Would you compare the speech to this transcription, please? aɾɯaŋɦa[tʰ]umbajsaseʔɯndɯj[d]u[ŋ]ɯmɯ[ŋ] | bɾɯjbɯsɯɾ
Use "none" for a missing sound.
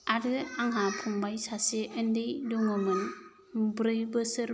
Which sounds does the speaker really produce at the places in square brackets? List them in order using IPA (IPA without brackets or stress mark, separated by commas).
pʰ, d, ŋ, n